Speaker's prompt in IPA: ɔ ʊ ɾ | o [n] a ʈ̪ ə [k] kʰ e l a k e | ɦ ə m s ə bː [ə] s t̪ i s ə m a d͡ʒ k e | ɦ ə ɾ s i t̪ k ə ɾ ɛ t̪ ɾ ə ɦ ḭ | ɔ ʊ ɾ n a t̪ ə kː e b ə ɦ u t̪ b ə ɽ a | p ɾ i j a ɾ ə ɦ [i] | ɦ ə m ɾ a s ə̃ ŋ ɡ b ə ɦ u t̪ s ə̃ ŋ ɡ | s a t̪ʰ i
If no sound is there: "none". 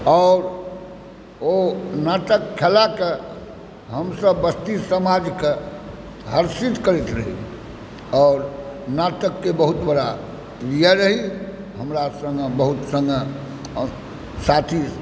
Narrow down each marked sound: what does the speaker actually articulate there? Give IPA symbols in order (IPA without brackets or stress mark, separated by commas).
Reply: n, k, ə, i